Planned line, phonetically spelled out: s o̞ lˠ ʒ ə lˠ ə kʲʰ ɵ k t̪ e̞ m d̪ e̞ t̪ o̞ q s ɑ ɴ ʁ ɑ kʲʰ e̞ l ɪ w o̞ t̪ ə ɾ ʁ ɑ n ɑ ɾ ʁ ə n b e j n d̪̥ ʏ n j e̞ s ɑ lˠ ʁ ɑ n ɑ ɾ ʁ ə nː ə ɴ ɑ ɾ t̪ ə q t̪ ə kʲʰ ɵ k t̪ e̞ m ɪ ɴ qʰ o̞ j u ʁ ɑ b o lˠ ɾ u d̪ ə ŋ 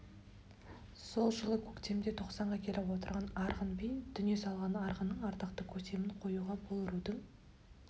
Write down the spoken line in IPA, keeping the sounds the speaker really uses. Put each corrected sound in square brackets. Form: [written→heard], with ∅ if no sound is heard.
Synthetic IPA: s o̞ lˠ ʒ ə lˠ ə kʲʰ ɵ k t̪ e̞ m d̪ e̞ [t̪→t̪ʰ] o̞ q s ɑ ɴ ʁ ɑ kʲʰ e̞ l ɪ w o̞ t̪ ə ɾ ʁ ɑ n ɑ ɾ ʁ ə n b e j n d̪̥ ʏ n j e̞ s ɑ lˠ ʁ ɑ n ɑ ɾ ʁ ə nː ə ɴ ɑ ɾ t̪ ə q t̪ ə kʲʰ ɵ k t̪ e̞ m ɪ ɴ qʰ o̞ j u ʁ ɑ b o lˠ ɾ u d̪ ə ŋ